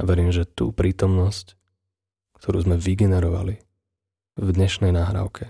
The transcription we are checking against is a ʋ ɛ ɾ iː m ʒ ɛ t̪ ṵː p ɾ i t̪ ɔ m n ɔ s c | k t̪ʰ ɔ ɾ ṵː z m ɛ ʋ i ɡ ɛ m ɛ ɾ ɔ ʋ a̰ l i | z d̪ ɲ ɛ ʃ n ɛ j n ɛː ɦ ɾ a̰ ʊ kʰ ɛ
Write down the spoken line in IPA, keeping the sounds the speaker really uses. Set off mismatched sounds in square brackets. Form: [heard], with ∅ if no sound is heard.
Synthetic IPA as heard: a ʋ ɛ ɾ iː m ʒ ɛ t̪ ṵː p ɾ [iː] t̪ ɔ m n ɔ s c | k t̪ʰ ɔ ɾ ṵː z m ɛ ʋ i ɡ ɛ [n] ɛ ɾ ɔ ʋ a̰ l i | [v] d̪ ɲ ɛ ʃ n ɛ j n [aː] ɦ ɾ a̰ ʊ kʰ ɛ